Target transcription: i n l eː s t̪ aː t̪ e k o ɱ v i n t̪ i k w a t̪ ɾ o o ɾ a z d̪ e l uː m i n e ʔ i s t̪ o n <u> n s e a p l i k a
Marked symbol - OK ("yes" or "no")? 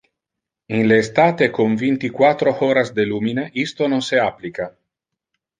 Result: no